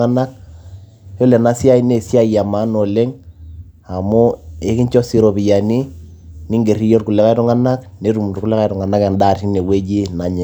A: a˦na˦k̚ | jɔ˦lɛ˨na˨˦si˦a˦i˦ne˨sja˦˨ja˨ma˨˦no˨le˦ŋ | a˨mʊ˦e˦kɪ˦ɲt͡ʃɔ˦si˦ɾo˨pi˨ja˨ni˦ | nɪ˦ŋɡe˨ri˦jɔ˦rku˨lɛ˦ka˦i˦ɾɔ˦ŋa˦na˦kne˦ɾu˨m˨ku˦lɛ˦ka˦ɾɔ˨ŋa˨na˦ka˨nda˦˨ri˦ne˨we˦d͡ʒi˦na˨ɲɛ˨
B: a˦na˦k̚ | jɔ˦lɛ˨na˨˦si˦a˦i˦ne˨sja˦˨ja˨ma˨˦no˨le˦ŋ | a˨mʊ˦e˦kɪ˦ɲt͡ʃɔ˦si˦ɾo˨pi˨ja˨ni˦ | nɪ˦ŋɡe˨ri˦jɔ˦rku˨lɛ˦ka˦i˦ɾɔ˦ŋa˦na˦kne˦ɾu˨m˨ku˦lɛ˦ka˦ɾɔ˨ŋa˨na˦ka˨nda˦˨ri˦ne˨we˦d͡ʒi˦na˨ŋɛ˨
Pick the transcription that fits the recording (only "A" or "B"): A